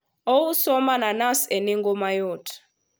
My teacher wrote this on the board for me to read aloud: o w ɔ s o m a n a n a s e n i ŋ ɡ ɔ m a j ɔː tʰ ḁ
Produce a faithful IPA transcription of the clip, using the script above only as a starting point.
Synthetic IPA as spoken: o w u s ɔ m a n a n a s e n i ŋ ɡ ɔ m a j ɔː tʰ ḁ